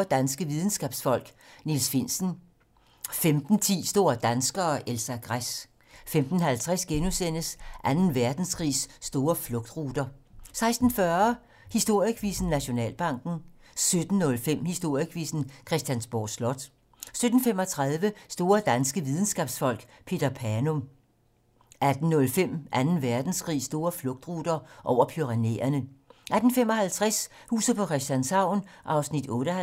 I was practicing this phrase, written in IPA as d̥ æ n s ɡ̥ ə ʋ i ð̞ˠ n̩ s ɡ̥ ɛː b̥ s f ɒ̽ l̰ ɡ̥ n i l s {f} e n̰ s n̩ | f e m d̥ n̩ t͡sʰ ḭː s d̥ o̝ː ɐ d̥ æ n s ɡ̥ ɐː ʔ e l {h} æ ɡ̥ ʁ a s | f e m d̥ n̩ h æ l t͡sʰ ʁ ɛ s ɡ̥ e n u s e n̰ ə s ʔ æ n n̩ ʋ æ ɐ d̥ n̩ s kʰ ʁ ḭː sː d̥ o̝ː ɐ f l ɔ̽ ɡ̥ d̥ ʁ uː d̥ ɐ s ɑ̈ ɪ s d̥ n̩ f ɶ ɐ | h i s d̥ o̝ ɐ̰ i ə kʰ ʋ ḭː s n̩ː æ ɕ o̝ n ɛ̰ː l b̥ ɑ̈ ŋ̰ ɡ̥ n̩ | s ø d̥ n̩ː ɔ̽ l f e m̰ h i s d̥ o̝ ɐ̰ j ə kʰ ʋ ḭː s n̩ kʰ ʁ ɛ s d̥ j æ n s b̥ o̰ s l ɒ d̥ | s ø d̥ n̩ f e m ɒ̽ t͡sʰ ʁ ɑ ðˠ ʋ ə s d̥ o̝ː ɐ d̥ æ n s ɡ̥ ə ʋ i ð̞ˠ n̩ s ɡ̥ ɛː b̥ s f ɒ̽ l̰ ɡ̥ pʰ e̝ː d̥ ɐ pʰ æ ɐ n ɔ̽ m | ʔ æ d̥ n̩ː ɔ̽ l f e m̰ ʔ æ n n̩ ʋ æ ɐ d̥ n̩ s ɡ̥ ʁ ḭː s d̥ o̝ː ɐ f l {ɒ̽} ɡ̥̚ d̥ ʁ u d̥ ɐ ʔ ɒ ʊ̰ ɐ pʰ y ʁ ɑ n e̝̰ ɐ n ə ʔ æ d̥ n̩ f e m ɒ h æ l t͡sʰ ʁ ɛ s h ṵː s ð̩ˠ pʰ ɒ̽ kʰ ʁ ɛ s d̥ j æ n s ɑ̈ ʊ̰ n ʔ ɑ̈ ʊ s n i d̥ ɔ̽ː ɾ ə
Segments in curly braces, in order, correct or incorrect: correct, incorrect: s, incorrect: ɔ̽

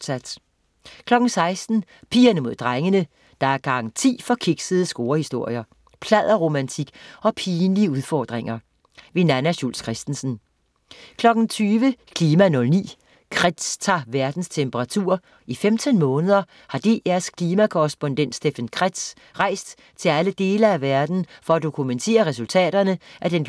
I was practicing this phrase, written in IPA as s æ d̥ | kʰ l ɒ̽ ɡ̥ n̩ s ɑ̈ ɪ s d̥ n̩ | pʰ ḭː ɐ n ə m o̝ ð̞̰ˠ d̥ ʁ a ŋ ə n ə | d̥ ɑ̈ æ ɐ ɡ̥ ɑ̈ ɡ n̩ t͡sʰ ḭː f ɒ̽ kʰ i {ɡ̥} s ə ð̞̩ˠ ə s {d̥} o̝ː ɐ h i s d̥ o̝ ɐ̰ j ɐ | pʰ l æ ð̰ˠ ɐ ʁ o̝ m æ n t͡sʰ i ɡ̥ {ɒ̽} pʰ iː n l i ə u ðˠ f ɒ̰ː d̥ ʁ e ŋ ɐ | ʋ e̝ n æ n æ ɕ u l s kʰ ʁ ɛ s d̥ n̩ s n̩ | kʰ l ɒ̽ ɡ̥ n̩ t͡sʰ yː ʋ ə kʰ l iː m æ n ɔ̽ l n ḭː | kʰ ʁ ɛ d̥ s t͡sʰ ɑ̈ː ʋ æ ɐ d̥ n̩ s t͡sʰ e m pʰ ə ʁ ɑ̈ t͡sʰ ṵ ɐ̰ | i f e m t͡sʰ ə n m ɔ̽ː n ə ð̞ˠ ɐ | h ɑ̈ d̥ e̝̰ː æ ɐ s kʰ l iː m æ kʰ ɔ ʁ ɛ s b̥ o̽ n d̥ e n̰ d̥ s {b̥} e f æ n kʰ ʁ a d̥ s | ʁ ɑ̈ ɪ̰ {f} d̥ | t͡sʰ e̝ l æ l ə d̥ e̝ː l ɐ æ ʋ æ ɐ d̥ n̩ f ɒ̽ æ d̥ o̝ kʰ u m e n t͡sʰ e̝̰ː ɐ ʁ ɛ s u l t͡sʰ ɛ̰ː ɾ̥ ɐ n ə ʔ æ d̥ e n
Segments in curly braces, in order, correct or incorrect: correct, incorrect: ɡ̥, correct, incorrect: d̥, incorrect: s

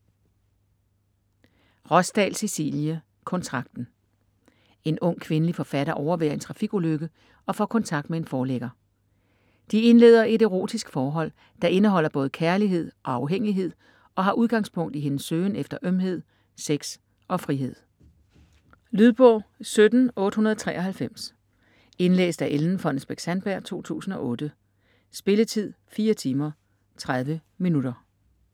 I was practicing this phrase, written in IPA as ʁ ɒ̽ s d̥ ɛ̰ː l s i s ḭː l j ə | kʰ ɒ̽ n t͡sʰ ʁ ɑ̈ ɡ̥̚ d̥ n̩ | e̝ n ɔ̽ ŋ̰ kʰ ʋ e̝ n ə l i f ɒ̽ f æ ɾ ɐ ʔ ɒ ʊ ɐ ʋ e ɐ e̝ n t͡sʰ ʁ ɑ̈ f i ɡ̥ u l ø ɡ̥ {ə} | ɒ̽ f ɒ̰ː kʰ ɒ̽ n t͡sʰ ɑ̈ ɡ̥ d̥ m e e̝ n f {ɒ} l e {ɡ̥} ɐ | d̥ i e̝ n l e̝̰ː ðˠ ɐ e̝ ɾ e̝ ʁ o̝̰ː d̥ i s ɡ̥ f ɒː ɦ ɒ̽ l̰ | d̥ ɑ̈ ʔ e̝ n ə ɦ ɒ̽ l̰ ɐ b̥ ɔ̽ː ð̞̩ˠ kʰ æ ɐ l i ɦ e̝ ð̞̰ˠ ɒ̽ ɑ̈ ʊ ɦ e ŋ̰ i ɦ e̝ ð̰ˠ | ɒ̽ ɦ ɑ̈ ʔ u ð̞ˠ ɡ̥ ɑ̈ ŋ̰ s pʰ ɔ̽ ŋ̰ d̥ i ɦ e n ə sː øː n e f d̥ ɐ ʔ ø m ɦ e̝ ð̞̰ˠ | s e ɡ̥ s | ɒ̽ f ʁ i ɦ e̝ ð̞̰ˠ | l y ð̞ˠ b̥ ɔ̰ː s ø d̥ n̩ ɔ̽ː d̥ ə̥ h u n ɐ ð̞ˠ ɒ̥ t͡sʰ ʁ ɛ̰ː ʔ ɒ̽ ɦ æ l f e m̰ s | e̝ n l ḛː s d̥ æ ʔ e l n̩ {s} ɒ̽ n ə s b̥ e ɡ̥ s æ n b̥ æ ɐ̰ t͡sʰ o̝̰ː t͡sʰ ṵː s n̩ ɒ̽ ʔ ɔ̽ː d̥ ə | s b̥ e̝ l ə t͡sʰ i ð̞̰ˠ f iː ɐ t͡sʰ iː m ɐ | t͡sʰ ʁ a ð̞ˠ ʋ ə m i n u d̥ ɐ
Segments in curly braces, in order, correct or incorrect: correct, incorrect: ɒː, correct, incorrect: f

